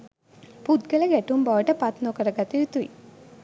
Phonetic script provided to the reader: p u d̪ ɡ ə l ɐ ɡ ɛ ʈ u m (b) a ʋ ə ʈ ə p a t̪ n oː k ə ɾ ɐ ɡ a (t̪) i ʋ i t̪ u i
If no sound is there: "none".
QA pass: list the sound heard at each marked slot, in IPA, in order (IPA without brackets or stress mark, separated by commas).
b, t̪